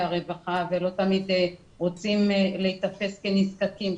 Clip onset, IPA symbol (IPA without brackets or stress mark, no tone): a